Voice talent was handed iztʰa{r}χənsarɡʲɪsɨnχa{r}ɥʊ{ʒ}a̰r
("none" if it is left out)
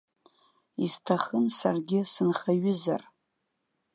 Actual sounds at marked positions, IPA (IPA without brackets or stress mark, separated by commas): none, none, z